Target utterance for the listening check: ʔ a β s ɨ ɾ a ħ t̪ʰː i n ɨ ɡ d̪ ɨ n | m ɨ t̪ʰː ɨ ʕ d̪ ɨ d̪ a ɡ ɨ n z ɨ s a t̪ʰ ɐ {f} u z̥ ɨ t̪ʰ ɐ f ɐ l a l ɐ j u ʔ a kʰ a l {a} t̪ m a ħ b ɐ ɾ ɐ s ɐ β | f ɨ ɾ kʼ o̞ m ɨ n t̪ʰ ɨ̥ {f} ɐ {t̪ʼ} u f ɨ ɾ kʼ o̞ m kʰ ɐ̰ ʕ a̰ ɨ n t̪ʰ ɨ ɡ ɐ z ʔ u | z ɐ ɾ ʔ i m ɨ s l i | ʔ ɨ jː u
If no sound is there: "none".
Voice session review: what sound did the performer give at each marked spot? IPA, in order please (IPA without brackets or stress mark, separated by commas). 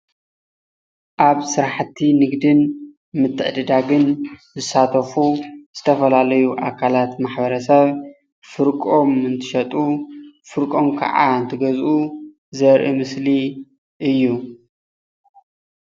f, a, ʃ, t̪ʼ